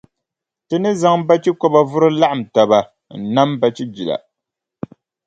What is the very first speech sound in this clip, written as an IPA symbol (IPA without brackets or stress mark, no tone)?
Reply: t